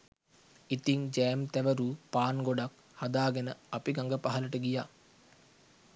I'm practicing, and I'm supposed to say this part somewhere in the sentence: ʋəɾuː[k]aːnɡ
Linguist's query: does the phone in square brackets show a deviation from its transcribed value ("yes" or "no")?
yes